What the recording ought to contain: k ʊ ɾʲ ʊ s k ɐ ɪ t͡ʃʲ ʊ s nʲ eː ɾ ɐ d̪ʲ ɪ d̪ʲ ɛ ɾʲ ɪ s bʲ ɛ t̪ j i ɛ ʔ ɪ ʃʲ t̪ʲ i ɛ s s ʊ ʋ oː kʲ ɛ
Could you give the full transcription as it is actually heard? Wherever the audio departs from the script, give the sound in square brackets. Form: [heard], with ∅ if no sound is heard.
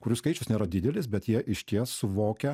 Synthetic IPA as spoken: k ʊ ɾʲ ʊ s k ɐ ɪ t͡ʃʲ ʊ s nʲ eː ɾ ɐ d̪ʲ ɪ d̪ʲ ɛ [lʲ] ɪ s bʲ ɛ t̪ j i ɛ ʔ ɪ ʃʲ t̪ʲ i ɛ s s ʊ ʋ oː kʲ ɛ